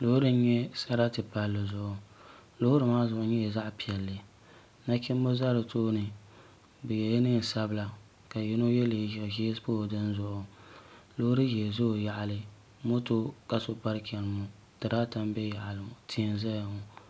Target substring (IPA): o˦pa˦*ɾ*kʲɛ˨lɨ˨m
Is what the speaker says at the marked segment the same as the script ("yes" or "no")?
yes